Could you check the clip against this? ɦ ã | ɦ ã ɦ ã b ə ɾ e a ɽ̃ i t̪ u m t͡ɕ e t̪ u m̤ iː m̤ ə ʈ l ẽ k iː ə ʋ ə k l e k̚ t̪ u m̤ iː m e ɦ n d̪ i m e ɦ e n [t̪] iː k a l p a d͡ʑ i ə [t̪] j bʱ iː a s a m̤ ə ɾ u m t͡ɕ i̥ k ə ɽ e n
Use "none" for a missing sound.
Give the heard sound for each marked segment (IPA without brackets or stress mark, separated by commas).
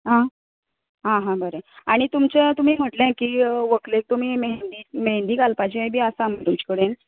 d̪, none